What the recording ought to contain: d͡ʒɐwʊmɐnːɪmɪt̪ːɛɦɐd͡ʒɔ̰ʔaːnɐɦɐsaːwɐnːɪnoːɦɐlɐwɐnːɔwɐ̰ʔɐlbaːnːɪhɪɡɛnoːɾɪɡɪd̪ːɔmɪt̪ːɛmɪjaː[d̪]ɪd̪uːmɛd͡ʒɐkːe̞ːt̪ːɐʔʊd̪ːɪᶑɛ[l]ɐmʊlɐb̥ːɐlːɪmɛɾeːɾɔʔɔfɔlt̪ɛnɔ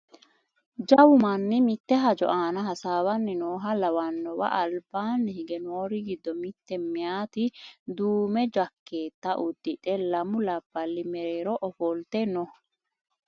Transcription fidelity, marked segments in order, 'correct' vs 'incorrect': incorrect: t̪, correct

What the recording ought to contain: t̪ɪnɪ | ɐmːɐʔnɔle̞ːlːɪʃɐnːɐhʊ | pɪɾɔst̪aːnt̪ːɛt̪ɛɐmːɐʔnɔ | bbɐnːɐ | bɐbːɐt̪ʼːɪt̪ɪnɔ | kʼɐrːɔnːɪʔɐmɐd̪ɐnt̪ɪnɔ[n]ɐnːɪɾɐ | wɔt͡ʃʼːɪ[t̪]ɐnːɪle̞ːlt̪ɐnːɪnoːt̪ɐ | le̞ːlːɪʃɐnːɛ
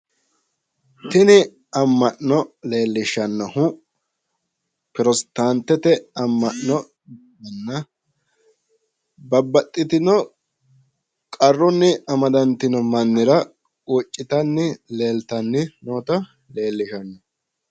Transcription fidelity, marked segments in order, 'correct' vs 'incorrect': incorrect: m, correct

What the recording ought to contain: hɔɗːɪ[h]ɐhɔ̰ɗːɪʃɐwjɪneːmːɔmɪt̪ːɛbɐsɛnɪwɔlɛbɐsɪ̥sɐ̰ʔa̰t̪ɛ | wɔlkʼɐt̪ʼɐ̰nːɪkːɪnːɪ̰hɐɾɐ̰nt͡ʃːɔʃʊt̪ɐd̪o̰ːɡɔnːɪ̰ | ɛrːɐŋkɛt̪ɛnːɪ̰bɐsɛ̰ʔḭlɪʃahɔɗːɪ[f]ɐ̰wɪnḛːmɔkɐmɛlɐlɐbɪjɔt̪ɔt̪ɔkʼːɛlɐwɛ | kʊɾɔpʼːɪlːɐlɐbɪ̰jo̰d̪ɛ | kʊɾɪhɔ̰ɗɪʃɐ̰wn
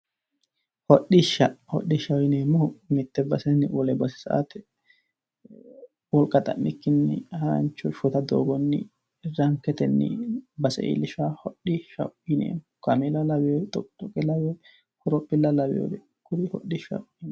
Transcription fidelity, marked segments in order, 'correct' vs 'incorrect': incorrect: ʃ, incorrect: ʃ

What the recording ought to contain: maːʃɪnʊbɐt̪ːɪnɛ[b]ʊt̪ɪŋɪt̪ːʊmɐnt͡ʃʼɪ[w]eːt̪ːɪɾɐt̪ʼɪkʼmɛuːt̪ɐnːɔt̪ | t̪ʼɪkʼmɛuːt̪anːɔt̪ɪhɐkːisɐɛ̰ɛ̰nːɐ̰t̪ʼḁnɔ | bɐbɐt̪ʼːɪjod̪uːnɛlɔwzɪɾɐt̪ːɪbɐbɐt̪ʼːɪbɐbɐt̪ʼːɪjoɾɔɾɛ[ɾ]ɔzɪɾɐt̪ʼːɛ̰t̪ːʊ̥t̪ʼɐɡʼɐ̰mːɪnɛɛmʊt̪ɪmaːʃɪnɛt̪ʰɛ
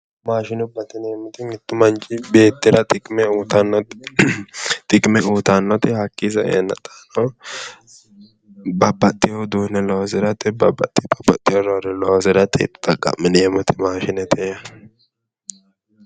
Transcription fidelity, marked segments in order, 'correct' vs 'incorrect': incorrect: m, incorrect: b, incorrect: l

